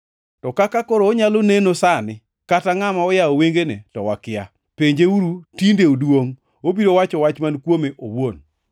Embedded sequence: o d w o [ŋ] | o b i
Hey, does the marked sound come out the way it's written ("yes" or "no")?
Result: yes